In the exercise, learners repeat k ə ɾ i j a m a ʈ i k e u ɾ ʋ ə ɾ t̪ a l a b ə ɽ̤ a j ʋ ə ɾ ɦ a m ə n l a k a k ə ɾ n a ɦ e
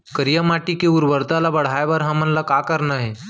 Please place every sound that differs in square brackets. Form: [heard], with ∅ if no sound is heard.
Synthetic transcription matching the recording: k ə ɾ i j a m a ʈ i k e u ɾ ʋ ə ɾ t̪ a l a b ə ɽ̤ a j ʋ ə ɾ ɦ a m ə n l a k a k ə ɾ n a ɦ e

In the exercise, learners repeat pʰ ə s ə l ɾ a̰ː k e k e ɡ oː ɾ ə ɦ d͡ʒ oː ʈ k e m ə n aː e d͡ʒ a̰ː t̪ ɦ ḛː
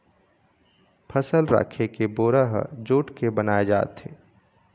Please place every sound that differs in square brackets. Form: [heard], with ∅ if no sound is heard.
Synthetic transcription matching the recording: pʰ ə s ə l ɾ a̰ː [kʰ] e k e [b] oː ɾ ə ɦ d͡ʒ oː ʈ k e [b] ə n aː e d͡ʒ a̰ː t̪ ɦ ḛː

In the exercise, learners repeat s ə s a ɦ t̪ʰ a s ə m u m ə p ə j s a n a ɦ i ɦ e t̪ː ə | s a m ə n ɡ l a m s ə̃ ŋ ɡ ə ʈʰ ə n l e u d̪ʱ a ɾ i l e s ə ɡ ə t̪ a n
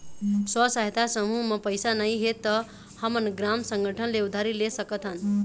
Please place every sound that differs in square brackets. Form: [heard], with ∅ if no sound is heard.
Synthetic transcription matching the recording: s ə s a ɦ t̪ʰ a s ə m u m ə p ə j s a n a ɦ i ɦ e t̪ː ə | [h] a m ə n ɡ [ɾ] a m s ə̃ ŋ ɡ ə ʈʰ ə n l e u d̪ʱ a ɾ i l e s ə [k] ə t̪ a n

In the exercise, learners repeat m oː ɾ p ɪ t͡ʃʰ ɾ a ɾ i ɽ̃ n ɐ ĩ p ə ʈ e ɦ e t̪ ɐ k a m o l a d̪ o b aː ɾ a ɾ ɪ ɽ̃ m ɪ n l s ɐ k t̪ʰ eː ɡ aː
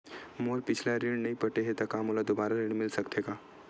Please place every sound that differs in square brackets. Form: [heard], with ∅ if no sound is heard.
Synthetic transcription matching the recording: m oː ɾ p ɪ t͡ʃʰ [l] a ɾ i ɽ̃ n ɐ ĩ p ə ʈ e ɦ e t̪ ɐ k a m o l a d̪ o b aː ɾ a ɾ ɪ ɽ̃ m ɪ [∅] l s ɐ k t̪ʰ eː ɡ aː

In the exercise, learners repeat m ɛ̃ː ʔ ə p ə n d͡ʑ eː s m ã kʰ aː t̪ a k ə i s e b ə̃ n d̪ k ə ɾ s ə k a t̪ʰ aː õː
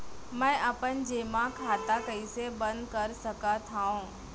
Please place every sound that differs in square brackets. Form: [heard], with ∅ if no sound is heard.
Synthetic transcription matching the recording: m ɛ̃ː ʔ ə p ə n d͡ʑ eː [∅] m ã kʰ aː t̪ a k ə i s e b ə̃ n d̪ k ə ɾ s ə k a t̪ʰ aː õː

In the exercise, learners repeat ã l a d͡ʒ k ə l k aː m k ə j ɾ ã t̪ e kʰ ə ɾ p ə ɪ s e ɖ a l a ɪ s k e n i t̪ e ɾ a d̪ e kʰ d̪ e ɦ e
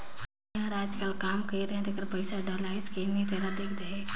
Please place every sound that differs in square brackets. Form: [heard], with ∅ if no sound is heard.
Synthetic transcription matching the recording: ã [ɾ] a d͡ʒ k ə l k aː m k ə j ɾ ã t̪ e [k] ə ɾ p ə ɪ s [a] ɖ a l a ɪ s k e n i t̪ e ɾ a d̪ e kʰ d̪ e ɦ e

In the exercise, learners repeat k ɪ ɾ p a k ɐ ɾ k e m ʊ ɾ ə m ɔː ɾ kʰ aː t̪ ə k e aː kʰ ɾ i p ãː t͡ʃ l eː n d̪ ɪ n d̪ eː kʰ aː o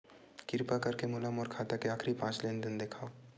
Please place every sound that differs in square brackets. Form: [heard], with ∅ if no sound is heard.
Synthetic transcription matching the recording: k ɪ ɾ p a k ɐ ɾ k e m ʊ [l] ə m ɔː ɾ kʰ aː t̪ [a] k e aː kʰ ɾ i p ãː t͡ʃ l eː n d̪ ɪ n d̪ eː kʰ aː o

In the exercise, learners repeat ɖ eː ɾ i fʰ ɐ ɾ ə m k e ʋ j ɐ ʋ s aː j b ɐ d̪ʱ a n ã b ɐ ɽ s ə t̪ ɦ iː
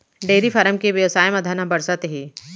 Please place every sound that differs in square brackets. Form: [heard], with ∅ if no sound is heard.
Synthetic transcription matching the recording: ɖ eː ɾ i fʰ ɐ ɾ ə m k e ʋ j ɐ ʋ s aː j [m] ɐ d̪ʱ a n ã b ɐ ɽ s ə t̪ ɦ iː

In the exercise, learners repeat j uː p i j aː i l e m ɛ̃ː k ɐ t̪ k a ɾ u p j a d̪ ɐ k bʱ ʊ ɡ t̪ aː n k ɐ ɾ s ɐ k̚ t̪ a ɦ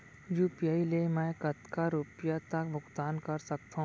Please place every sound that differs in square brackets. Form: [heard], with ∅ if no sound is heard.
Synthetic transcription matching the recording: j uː p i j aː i l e m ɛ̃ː k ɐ t̪ k a ɾ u p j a [t̪] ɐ k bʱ ʊ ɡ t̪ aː n k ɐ ɾ s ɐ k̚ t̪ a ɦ

